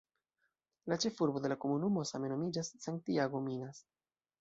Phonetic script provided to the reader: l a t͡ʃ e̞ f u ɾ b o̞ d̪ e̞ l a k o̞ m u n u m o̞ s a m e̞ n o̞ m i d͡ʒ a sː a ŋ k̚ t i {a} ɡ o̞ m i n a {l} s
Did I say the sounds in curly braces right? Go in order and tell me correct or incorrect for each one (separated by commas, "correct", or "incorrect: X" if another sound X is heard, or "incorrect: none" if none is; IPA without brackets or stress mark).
correct, incorrect: none